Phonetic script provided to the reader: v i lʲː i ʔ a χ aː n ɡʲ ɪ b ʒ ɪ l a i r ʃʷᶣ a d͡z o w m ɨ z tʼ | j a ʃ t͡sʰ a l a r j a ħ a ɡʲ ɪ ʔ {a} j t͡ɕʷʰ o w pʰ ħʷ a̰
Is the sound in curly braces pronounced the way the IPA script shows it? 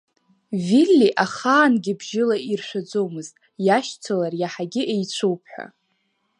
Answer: no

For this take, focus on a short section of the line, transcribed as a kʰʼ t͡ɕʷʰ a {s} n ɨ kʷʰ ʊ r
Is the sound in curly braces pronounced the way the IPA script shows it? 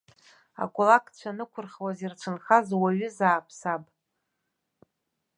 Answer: no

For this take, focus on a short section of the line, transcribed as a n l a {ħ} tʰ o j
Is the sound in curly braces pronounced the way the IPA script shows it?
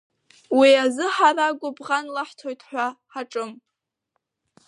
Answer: yes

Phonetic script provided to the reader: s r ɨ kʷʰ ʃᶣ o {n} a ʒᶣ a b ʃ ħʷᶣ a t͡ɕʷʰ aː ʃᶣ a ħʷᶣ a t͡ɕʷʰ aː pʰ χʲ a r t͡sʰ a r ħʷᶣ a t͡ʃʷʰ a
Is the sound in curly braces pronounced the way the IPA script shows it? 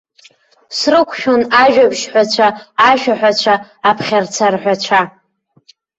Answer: yes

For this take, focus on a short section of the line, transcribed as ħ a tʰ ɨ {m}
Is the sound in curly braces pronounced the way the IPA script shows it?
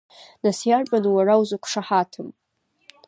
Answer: yes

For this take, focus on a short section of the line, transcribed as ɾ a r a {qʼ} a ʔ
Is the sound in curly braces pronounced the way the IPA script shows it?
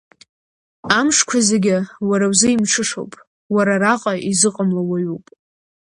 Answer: yes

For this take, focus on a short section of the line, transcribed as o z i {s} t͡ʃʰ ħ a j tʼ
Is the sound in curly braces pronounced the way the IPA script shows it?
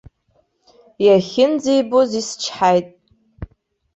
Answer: yes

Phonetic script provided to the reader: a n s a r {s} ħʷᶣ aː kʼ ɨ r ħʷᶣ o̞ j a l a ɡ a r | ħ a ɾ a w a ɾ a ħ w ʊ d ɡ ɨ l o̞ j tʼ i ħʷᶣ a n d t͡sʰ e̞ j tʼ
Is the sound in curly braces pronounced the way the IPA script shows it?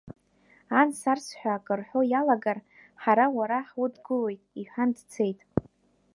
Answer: yes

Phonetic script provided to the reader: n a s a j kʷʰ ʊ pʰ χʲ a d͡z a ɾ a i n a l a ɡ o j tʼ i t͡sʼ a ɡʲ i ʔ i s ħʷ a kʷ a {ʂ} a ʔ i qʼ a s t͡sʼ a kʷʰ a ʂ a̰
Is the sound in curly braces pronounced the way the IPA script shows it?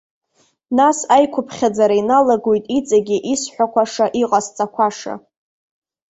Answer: yes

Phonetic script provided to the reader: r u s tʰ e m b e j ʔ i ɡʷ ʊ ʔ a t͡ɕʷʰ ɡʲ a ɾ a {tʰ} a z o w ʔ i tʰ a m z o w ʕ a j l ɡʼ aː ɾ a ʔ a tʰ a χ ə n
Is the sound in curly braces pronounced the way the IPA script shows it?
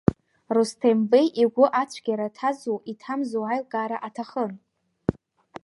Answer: yes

